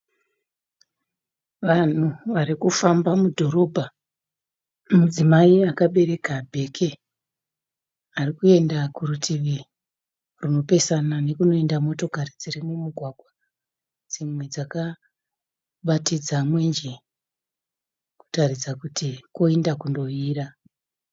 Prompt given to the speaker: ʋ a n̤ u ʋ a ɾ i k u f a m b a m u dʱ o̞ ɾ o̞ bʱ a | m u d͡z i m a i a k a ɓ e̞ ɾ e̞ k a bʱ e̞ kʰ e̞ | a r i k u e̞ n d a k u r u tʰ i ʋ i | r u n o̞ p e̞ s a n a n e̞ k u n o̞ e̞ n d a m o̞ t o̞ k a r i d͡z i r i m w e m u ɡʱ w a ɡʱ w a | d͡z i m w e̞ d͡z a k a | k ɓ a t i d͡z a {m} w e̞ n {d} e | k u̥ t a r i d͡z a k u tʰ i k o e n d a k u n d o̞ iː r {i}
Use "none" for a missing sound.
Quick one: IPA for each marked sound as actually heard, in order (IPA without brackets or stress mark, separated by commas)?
m, d͡ʒ, a